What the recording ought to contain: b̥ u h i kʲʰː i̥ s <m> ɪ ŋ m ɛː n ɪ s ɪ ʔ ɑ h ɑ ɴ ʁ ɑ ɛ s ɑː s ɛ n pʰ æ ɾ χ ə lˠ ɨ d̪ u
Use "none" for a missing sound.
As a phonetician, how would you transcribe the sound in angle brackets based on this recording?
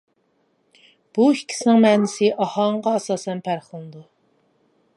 n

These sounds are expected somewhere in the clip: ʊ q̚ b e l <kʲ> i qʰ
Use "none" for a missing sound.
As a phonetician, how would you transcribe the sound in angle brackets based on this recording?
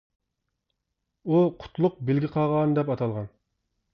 ɡʲ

